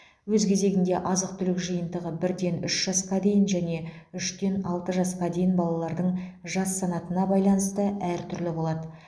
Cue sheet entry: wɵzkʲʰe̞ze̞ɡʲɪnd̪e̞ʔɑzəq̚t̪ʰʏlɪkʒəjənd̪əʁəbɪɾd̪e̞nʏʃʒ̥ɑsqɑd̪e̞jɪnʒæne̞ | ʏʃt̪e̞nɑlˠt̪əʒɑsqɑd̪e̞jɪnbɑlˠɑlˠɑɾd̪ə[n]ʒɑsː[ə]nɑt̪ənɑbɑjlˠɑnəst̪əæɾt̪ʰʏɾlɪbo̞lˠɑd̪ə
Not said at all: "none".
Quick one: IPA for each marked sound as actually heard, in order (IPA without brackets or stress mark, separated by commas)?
ɴ, ɑ